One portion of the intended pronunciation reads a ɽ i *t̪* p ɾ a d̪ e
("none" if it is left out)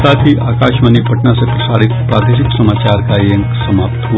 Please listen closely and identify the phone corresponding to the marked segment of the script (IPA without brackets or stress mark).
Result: t̪